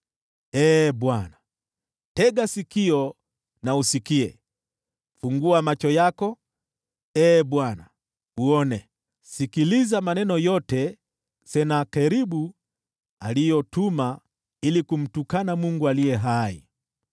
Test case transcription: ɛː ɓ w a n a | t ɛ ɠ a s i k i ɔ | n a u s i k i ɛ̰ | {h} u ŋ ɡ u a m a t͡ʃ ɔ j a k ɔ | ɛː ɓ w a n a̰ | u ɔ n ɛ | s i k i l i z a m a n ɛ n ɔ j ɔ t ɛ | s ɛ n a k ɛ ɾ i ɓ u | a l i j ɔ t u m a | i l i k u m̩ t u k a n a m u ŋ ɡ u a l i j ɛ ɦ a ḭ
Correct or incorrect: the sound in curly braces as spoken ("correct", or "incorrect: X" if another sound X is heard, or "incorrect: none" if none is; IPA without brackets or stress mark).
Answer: incorrect: f